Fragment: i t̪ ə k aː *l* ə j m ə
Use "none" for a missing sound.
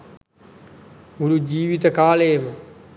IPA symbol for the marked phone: l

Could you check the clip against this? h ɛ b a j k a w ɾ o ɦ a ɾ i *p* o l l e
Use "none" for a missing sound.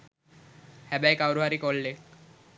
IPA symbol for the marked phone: k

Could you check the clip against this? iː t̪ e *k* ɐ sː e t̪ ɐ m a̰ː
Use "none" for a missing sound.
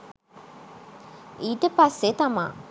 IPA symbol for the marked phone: p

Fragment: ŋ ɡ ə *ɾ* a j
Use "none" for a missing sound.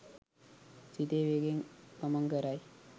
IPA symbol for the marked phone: ɾ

